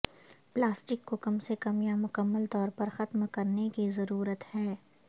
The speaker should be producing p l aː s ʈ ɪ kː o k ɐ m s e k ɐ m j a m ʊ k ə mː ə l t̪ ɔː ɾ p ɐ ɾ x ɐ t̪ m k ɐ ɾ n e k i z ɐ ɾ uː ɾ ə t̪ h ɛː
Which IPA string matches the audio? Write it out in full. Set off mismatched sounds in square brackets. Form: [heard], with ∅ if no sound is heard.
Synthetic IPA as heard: p l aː s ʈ ɪ kː o k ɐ m s e k ɐ m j a m ʊ k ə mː ə l t̪ ɔː ɾ p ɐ ɾ x ɐ t̪ m k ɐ ɾ n e k i z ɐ ɾ uː ɾ ə t̪ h ɛː